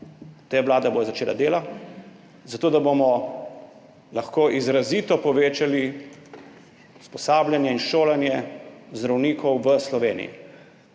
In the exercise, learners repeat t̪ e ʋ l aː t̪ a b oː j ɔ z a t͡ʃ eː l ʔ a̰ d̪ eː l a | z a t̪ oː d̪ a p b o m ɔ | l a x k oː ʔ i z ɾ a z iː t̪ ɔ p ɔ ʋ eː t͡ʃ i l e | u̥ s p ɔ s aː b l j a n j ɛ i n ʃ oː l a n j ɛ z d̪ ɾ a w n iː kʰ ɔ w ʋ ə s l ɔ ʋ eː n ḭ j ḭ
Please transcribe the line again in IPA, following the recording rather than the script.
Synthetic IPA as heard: t̪ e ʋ l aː d̪ a b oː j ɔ z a t͡ʃ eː l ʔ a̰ d̪ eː l a | z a t̪ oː d̪ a b o m ɔ | l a x k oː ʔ i z ɾ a z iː t̪ ɔ p ɔ ʋ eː t͡ʃ a l i | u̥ s p ɔ s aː b l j a n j ɛ i n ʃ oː l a n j ɛ z d̪ ɾ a w n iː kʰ ɔ w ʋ ə s l ɔ ʋ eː n ḭ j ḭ

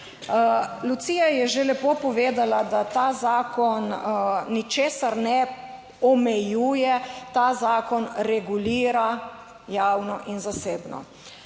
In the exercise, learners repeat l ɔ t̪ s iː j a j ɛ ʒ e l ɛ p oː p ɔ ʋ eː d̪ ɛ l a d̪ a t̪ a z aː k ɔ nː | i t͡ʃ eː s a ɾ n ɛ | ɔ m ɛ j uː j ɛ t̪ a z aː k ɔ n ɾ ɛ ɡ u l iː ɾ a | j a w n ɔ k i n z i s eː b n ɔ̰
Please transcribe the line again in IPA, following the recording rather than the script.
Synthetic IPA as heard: l u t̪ s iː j a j ɛ ʒ e l ɛ p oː p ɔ ʋ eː d̪ a l a d̪ a t̪ a z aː k ɔ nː | i t͡ʃ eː s a ɾ n ɛ | ɔ m ɛ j uː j ɛ t̪ a z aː k ɔ n ɾ ɛ ɡ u l iː ɾ a | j a w n ɔ ʔ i n z a s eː b n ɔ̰

